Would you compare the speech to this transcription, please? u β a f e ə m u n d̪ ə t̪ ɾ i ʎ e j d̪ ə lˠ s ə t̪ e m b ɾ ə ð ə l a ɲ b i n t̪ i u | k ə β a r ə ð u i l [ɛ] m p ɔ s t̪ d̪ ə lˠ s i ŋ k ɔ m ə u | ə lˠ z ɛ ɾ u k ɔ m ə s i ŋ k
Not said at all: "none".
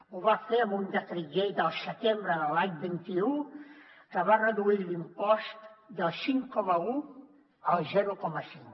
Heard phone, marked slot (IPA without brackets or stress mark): i